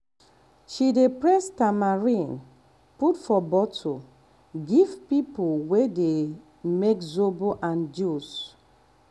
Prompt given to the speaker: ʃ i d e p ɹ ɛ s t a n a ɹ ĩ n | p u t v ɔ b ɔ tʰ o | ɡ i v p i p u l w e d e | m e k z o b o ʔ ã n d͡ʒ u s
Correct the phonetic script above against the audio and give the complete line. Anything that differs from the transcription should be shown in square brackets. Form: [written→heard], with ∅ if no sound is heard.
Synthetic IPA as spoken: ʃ i d e p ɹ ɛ s t a [n→m] a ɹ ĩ n | p u t [v→f] ɔ b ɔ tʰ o | ɡ i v p i p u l w e d e | m e k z o b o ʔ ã n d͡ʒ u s